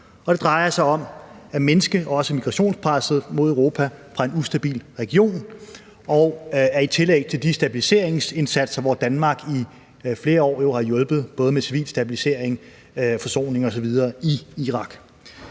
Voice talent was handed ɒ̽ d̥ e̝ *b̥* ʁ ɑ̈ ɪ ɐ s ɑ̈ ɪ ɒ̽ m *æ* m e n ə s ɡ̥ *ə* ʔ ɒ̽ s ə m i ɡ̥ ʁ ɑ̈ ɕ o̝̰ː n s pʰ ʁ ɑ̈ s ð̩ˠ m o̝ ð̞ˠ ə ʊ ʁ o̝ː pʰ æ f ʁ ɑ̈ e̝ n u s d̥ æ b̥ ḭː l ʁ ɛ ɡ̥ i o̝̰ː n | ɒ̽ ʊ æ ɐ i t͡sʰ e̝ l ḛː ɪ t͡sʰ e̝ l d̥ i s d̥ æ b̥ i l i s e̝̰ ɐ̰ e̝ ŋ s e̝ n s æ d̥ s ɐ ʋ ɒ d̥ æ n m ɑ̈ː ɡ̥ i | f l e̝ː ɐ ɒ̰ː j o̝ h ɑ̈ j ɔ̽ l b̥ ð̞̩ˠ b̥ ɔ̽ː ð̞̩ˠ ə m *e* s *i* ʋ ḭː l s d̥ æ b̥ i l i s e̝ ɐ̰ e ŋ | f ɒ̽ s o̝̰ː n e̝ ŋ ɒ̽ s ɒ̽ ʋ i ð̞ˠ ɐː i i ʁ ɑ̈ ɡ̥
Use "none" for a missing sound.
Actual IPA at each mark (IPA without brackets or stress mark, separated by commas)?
d̥, æ, ə, e, i